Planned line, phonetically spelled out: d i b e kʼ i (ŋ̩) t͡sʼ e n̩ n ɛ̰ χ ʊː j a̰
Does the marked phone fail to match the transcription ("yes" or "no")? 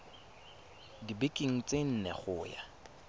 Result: no